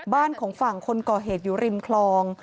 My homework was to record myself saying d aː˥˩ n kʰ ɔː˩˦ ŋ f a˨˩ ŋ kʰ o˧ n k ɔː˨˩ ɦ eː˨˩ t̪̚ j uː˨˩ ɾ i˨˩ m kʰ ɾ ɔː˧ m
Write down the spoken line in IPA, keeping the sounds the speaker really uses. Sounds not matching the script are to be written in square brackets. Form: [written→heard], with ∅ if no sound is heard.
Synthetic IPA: [d→b] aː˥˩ n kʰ ɔː˩˦ ŋ f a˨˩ ŋ kʰ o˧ n k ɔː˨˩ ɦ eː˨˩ t̪̚ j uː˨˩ ɾ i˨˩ m kʰ [ɾ→l] ɔː˧ [m→ŋ]